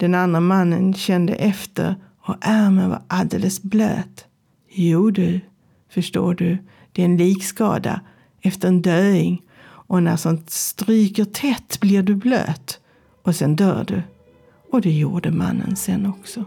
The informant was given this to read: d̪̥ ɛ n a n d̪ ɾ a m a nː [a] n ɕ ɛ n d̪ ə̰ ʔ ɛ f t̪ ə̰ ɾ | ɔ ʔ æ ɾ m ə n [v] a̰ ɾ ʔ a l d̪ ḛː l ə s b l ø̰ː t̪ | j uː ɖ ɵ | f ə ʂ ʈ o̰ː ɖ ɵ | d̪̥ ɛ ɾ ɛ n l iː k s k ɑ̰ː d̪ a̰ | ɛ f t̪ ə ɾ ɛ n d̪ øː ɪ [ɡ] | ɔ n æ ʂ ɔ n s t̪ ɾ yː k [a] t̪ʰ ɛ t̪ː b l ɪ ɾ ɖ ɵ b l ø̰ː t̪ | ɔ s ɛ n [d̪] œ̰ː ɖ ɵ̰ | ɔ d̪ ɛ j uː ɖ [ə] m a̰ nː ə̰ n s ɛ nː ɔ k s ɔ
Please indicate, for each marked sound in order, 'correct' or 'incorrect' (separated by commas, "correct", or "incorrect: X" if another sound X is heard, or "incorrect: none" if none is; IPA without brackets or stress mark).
incorrect: ə, correct, incorrect: ŋ, incorrect: ə, correct, correct